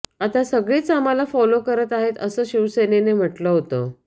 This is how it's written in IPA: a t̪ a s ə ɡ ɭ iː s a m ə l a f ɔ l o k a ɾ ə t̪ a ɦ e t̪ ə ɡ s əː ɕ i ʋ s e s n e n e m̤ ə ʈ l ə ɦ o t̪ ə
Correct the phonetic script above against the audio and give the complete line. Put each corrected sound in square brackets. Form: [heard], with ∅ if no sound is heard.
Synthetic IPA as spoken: a t̪ a s ə ɡ ɭ iː [t͡s] a m [a] l a f ɔ l o k [ə] ɾ ə t̪ a ɦ e t̪ ə [∅] s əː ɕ i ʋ s e [∅] n e n e m̤ ə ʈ l ə ɦ o t̪ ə